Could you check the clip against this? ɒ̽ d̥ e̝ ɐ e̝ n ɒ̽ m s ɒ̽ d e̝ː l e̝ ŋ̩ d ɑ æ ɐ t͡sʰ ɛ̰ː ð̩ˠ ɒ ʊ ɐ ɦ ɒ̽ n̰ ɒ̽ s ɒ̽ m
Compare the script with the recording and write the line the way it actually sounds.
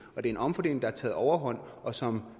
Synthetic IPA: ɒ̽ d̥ e̝ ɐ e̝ n ɒ̽ m f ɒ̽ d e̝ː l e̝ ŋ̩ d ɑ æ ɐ t͡sʰ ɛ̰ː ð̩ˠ ɒ ʊ ɐ ɦ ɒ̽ n̰ ɒ̽ s ɒ̽ m